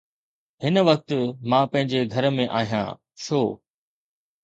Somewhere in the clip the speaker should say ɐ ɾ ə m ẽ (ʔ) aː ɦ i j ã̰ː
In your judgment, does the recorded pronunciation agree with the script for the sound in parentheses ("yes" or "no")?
yes